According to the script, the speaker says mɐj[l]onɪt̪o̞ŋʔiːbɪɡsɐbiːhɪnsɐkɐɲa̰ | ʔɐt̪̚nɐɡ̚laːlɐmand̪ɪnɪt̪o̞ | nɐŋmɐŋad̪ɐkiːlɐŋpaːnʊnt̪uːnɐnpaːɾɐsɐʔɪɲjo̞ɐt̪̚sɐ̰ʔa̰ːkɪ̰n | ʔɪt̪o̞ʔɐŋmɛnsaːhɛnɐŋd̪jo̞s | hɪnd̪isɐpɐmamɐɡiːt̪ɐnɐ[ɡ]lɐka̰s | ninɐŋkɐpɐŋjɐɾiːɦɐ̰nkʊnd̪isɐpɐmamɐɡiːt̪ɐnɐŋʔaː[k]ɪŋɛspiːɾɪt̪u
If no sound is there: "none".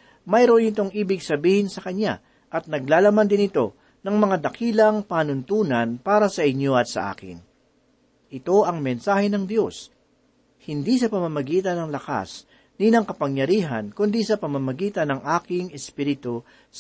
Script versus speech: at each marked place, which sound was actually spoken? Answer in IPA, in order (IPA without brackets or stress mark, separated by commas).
ɾ, ŋ, k